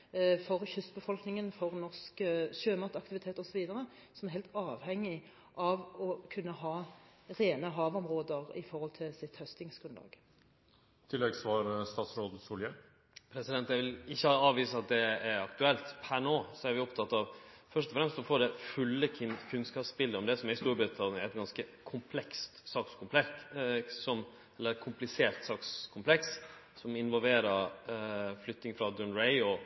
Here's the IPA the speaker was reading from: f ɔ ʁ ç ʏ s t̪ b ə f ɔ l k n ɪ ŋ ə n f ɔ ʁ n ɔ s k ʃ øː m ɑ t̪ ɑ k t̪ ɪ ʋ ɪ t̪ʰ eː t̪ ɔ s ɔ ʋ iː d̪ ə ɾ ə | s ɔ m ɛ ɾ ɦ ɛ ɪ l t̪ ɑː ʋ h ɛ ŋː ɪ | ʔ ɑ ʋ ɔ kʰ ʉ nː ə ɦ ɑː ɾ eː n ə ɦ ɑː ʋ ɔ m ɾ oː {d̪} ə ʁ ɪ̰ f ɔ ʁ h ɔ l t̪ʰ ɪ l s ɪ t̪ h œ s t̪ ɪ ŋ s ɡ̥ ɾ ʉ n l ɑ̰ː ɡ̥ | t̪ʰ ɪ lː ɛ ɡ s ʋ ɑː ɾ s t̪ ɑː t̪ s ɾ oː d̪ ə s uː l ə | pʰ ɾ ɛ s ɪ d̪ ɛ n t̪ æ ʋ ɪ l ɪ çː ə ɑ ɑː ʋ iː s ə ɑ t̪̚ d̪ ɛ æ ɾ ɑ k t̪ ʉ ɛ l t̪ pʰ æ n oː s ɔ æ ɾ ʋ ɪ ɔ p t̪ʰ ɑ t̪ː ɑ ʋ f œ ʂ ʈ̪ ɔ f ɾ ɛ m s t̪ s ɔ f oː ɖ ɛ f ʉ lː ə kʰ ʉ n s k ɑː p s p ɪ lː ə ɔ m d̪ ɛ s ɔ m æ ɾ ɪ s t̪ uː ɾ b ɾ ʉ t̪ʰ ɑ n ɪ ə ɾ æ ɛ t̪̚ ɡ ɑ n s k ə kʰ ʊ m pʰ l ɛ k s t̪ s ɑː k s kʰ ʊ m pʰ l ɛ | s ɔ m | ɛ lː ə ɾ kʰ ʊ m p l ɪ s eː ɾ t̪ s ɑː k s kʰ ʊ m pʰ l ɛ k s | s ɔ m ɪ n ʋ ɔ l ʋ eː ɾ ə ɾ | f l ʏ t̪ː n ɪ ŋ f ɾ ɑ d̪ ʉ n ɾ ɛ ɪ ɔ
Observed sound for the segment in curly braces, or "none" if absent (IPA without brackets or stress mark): d̪